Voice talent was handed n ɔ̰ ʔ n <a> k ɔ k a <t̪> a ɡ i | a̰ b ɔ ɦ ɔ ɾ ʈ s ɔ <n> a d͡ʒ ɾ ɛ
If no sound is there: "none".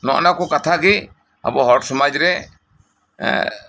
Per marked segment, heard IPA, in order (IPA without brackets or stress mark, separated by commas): a, t̪ʰ, m